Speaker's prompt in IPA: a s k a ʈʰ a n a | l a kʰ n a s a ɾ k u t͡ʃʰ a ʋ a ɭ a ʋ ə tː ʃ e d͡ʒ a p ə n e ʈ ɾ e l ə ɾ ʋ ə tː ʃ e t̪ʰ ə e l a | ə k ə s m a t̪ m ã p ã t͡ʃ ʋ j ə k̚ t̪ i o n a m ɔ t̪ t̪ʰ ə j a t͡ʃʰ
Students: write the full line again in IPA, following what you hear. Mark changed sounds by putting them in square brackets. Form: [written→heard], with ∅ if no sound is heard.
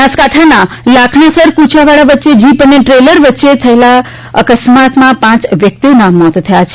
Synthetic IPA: a s k a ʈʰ a n a | l a kʰ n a s [a→ə] ɾ k u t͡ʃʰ a ʋ a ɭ a ʋ ə tː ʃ e d͡ʒ [a→i] p ə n e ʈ ɾ e l ə ɾ ʋ ə tː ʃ e t̪ʰ ə e l a | ə k ə s m a t̪ m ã p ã t͡ʃ ʋ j ə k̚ t̪ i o n a m ɔ t̪ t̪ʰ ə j a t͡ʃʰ

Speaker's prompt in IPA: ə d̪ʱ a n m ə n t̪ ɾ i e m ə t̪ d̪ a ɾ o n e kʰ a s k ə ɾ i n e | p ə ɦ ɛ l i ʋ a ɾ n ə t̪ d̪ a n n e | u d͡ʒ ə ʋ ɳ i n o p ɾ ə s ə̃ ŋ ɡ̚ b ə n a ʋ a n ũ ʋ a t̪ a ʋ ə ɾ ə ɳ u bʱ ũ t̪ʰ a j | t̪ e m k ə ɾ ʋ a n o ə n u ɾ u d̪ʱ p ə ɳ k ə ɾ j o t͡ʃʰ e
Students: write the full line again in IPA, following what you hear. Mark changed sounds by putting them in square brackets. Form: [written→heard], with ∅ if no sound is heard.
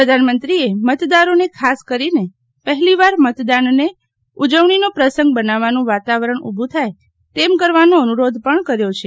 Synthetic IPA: ə d̪ʱ a n m ə n t̪ ɾ i e m ə t̪ d̪ a ɾ o n e kʰ a s k ə ɾ i n e | p ə ɦ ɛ l i ʋ a ɾ [n→m] ə t̪ d̪ a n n e | u d͡ʒ ə ʋ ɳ i n o p ɾ ə s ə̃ ŋ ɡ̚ b ə n a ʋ a n ũ ʋ a t̪ a ʋ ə ɾ ə ɳ u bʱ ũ t̪ʰ a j | t̪ e m k ə ɾ ʋ a n o ə n u ɾ [u→o] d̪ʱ p ə ɳ k ə ɾ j o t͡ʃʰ e

